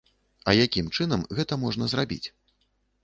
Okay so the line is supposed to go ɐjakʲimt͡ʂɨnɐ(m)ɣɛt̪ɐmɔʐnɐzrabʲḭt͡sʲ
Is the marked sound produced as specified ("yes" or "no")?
yes